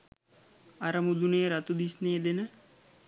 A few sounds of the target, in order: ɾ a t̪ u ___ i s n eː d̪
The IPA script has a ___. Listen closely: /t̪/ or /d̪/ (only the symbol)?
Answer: d̪